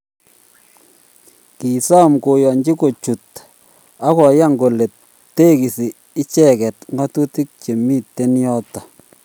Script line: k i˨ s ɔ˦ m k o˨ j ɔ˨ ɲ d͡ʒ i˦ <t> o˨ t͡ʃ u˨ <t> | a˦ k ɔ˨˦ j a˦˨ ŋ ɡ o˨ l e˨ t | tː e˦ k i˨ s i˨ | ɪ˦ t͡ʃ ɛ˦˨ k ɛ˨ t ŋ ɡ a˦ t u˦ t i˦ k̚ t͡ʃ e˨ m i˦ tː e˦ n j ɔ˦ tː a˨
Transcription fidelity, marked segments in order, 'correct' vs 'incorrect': incorrect, correct

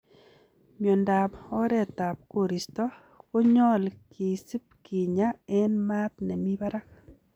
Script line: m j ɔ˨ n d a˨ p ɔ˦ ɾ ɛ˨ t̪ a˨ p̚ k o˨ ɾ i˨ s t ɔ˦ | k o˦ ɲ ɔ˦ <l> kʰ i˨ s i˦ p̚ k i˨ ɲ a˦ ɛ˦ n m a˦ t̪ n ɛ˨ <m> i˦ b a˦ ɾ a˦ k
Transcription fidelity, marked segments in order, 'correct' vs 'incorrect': correct, correct

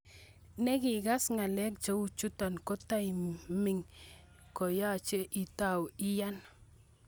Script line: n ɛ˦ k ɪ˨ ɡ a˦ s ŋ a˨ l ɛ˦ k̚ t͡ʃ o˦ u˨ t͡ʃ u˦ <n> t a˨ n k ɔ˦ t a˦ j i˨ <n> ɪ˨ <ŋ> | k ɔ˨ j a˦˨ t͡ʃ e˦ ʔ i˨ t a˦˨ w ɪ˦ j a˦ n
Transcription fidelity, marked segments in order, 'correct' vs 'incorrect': incorrect, incorrect, correct

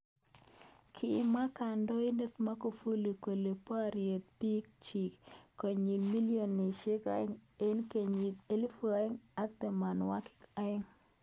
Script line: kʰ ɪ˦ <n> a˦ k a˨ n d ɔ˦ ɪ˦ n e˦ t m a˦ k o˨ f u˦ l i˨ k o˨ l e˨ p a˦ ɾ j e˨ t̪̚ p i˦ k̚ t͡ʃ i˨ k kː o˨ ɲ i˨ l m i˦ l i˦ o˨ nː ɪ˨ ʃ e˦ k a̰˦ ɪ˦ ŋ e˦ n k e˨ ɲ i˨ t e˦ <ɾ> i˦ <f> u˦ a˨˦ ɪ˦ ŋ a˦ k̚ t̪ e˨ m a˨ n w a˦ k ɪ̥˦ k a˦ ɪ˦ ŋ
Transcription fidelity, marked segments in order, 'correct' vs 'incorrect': incorrect, incorrect, correct

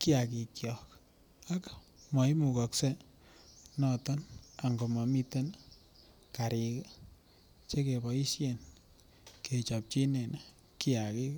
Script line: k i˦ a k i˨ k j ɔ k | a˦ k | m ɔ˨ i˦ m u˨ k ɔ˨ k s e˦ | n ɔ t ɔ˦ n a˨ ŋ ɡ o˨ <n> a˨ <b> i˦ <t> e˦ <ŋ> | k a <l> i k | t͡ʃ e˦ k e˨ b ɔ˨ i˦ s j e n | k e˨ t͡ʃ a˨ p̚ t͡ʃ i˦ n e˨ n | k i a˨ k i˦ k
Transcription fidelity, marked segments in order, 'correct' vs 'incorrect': incorrect, incorrect, correct, incorrect, incorrect

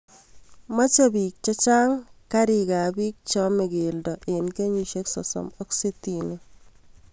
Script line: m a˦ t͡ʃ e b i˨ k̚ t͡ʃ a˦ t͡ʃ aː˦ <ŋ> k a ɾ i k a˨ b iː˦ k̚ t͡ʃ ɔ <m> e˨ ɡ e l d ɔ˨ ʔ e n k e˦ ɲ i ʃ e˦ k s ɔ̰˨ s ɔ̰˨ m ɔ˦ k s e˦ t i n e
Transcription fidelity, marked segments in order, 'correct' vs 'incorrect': correct, correct

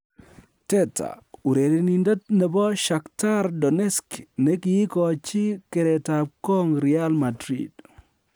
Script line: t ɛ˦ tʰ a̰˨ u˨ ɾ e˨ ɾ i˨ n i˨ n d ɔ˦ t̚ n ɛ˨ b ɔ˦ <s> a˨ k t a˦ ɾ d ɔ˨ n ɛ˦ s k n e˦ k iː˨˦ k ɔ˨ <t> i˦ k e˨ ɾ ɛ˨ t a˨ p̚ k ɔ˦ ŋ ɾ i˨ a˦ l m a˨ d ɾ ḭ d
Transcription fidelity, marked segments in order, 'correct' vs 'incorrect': incorrect, incorrect

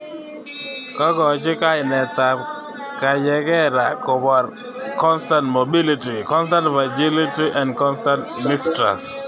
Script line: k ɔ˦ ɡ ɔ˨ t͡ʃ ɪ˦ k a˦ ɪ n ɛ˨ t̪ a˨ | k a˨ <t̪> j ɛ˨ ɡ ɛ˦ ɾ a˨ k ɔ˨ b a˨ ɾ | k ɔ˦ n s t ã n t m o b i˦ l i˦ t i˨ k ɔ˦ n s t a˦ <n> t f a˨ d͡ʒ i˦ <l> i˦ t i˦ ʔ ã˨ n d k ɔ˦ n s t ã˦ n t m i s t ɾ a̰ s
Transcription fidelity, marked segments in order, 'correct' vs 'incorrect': incorrect, correct, correct

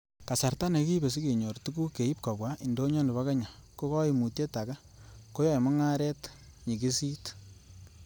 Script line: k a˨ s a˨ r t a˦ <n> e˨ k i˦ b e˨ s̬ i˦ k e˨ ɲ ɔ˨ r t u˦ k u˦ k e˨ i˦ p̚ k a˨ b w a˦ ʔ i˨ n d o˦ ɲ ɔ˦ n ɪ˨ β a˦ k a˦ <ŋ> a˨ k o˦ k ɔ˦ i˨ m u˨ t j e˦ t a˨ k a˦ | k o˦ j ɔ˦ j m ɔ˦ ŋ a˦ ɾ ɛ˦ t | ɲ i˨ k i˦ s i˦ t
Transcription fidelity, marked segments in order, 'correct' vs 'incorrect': correct, incorrect

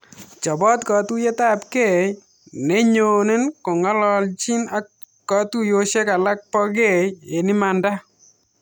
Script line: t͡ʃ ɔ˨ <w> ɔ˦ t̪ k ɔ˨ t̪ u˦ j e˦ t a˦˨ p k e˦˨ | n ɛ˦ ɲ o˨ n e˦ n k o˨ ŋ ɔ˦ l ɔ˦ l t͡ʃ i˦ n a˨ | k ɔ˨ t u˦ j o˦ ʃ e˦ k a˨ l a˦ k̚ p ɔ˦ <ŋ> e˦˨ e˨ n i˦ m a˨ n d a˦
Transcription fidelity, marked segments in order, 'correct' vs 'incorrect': incorrect, incorrect

